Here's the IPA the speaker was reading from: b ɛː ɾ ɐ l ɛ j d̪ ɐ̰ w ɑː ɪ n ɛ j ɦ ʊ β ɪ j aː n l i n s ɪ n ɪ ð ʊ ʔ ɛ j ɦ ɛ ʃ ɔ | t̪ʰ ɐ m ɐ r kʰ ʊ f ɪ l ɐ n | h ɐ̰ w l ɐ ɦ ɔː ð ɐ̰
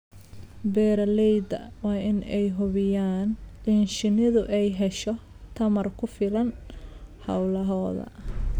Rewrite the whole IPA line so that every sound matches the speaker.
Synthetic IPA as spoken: b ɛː ɾ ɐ l ɛ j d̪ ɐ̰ w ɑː ɪ n ɛ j ɦ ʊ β ɪ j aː n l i n ʃ ɪ n ɪ ð ʊ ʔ ɛ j ɦ ɛ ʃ ɔ | t̪ʰ ɐ m ɐ r kʰ ʊ f ɪ l ɐ n | h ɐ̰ w l ɐ ɦ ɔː ð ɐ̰

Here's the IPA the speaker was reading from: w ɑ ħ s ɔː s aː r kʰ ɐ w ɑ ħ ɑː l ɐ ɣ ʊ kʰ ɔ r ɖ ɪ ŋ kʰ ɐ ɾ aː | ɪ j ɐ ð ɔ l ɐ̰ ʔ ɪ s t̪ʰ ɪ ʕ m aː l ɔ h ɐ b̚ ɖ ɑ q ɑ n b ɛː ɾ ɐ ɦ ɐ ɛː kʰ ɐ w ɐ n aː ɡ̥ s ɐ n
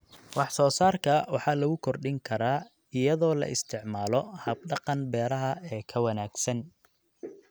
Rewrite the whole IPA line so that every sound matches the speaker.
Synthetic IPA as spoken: w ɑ ħ s ɔː s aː r kʰ ɐ w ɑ ħ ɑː l ɐ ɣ ʊ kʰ ɔ r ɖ ɪ ŋ kʰ ɐ ɾ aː | ɪ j ɐ ð ɔː l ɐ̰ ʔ ɪ s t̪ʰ ɪ ʕ m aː l ɔ h ɐ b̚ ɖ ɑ q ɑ n b ɛː ɾ ɐ ɦ ɐ ɛː kʰ ɐ w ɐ n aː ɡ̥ s ɐ n

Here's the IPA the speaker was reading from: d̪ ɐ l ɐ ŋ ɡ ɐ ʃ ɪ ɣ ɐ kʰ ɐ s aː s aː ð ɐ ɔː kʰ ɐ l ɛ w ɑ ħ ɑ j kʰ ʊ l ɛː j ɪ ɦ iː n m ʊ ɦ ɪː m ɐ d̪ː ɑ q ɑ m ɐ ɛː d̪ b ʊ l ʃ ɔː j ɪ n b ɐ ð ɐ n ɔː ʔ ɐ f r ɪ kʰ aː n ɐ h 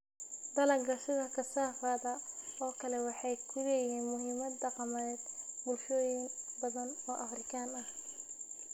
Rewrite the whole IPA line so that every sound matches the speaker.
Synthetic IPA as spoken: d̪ ɐ l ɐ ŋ ɡ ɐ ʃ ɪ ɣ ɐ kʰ ɐ s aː f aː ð ɐ ɔː kʰ ɐ l ɛ w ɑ ħ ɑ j kʰ ʊ l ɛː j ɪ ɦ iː n m ʊ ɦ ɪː m ɐ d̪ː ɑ q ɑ m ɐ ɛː d̪ b ʊ l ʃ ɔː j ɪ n b ɐ ð ɐ n ɔː ʔ ɐ f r ɪ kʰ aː n ɐ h

